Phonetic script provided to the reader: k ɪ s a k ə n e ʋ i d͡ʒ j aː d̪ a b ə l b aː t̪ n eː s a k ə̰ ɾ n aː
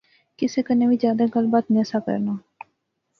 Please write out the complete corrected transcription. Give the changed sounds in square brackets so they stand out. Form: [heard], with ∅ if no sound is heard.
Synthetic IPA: k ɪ s [e] k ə n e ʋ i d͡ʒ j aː d̪ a [ɡ] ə l b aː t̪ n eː s a k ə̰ ɾ n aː